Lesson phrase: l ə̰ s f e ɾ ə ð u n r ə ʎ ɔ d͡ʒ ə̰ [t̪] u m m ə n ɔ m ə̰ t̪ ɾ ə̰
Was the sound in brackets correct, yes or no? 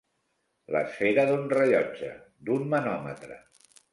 no